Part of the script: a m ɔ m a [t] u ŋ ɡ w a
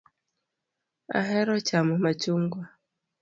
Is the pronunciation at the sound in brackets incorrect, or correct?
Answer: incorrect